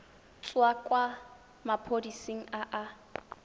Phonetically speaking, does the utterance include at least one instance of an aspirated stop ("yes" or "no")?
yes